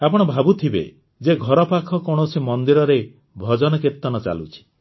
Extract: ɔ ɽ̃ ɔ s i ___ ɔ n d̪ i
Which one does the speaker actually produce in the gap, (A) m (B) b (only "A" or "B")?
A